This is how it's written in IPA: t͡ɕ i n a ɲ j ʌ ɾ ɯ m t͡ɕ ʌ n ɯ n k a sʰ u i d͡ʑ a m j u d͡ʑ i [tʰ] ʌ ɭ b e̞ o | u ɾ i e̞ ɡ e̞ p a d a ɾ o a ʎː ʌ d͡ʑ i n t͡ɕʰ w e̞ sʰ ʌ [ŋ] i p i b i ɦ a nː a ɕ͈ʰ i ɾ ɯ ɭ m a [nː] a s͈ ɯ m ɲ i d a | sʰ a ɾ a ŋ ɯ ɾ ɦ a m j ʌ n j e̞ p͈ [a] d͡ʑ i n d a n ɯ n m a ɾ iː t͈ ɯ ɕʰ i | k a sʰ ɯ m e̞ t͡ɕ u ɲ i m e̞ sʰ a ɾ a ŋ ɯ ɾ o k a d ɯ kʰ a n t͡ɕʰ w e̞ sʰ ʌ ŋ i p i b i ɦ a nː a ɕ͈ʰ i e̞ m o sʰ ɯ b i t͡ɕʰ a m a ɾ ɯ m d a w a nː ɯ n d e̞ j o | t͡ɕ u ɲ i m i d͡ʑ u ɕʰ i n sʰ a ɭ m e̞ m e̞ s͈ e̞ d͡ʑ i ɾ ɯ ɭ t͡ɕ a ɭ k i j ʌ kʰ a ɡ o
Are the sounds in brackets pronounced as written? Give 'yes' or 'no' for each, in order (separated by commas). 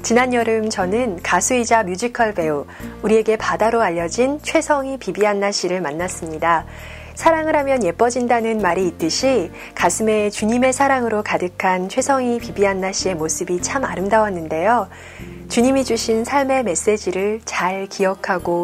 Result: no, yes, yes, no